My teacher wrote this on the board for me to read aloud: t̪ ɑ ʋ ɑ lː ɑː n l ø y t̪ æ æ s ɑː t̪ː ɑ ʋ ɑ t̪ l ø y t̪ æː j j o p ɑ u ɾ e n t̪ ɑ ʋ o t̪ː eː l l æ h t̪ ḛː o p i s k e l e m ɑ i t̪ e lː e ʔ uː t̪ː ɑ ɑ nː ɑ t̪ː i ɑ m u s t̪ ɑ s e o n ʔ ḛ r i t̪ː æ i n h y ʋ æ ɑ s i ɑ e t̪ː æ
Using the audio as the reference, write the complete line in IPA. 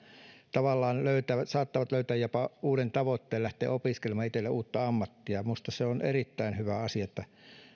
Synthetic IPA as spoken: t̪ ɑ ʋ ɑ lː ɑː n l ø y t̪ æ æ s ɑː t̪ː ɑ ʋ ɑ t̪ l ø y t̪ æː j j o p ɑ uː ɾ e n t̪ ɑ ʋ o t̪ː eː l l æ h t̪ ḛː o p i s k e l e m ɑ i t̪ e lː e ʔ uː t̪ː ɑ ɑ mː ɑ t̪ː i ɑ m u s t̪ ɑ s e o n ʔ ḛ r i t̪ː æ i n h y ʋ æ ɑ s i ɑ e t̪ː æ

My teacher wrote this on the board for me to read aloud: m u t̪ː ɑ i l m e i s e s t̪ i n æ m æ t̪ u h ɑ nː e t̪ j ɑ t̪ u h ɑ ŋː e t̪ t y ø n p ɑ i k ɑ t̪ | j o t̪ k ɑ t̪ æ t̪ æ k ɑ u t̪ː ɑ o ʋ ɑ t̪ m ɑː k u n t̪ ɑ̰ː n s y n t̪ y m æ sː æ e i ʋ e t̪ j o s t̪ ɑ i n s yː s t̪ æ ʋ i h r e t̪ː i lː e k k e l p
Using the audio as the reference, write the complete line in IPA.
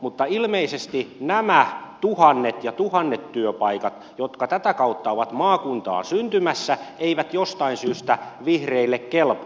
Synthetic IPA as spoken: m u t̪ː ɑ i l m e i s e s t̪ i n æ m æ t̪ u h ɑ nː e t̪ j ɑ t̪ u h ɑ nː e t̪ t y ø p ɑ i k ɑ t̪ | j o t̪ k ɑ t̪ æ t̪ æ k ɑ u t̪ː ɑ o ʋ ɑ t̪ m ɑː k u n t̪ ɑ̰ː n s y n t̪ y m æ sː æ e i ʋ æ t̪ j o s t̪ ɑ i n s yː s t̪ æ ʋ i h r e i lː e k k e l p

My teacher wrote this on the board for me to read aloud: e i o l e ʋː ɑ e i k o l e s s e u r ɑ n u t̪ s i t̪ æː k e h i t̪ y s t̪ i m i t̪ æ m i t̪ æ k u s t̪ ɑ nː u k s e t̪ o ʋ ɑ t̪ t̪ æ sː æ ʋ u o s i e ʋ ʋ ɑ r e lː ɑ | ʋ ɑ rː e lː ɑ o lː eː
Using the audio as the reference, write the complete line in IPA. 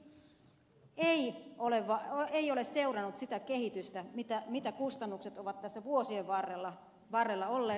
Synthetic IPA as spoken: e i o l e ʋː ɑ e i o l e s s e u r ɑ n u t̪ s i t̪ æ k e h i t̪ y s t̪ æ m i t̪ æ m i t̪ æ k u s t̪ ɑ nː u k s e t̪ o ʋ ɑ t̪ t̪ æ sː æ ʋ u o s i e ʋ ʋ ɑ r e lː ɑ | ʋ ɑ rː e lː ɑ o lː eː

